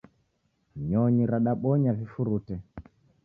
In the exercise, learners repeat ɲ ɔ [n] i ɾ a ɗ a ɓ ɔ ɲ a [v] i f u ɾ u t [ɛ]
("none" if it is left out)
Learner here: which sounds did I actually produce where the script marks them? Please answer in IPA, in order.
ɲ, v, ɛ

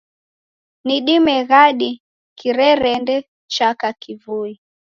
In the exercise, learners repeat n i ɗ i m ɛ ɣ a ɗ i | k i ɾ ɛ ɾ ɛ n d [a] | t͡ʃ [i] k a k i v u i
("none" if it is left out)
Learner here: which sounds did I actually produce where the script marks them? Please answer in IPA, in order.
ɛ, a

